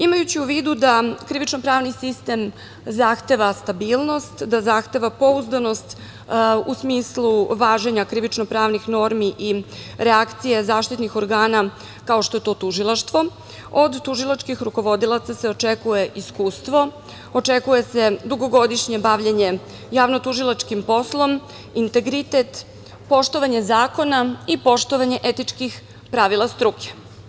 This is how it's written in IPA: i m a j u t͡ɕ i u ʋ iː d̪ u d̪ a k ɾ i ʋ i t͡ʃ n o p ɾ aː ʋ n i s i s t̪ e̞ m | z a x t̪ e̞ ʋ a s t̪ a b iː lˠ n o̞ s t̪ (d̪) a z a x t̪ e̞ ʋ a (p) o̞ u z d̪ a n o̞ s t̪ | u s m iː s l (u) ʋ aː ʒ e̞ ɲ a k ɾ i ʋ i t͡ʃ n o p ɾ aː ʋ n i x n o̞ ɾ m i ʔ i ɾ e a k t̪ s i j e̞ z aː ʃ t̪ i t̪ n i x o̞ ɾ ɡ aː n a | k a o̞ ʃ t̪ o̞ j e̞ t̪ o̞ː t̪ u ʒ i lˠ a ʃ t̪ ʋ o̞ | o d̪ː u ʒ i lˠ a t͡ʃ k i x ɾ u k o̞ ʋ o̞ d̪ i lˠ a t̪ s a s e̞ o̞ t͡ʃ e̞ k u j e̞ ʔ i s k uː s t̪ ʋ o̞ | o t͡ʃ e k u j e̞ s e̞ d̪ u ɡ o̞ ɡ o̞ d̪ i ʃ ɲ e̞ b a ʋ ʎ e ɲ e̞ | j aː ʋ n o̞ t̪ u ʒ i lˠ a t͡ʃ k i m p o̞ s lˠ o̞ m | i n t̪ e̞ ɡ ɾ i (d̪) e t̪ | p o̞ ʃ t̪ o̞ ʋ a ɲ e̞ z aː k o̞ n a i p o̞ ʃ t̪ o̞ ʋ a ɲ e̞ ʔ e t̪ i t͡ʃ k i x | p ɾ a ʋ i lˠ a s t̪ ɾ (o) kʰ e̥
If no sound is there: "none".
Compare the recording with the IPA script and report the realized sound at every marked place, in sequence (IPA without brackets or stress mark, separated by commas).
d̪, p, u, t̪, u